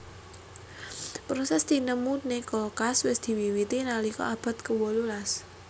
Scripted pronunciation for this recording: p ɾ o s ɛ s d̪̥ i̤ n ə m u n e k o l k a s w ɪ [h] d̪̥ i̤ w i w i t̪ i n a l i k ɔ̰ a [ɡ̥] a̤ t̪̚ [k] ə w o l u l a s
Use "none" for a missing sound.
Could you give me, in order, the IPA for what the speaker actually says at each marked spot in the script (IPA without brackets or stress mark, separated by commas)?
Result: s, b̥, k